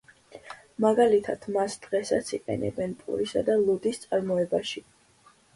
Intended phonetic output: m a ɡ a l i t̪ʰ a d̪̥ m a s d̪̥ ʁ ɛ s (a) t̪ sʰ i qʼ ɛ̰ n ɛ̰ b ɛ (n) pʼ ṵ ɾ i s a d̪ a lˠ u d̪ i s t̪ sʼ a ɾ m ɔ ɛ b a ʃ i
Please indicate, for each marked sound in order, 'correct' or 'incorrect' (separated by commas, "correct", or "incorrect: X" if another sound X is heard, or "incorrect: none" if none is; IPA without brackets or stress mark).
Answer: correct, correct